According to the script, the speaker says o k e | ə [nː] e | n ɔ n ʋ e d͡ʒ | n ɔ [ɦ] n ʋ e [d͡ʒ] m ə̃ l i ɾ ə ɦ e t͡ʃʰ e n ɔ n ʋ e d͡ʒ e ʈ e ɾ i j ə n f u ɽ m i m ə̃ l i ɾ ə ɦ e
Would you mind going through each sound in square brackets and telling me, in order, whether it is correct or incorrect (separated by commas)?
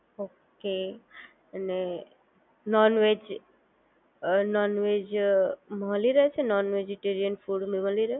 incorrect, incorrect, correct